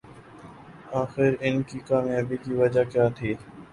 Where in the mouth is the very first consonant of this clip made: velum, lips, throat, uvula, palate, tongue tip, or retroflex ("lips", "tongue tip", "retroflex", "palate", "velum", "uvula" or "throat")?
velum